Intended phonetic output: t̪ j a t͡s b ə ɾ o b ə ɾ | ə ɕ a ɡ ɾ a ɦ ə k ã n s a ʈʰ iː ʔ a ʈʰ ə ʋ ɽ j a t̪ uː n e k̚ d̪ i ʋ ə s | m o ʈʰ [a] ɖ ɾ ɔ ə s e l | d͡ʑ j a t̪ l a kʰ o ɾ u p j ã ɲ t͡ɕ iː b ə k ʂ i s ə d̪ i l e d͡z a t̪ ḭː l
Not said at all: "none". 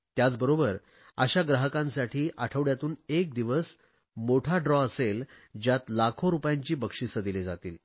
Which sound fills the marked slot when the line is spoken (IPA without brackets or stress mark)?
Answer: a